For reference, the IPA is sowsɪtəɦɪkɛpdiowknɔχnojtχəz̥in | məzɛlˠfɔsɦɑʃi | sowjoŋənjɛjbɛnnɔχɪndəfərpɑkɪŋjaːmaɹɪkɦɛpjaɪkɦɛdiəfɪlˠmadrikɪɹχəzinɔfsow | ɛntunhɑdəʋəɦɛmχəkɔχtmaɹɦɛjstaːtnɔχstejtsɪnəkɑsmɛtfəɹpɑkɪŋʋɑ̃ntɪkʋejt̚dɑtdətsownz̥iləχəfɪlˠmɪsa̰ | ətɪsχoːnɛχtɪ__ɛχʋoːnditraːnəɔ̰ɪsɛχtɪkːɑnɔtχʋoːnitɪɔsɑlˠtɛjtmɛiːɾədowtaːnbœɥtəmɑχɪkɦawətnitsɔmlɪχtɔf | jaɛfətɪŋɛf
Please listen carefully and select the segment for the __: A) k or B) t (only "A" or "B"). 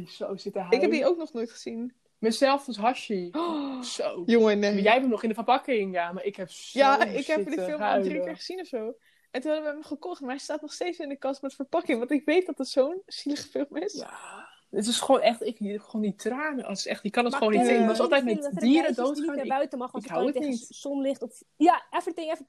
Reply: A